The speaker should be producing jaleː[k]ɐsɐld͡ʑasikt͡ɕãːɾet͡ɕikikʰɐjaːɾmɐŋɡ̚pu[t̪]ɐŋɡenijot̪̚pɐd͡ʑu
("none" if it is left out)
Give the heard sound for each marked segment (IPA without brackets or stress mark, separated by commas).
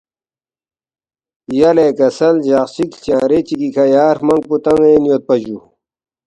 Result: k, t̪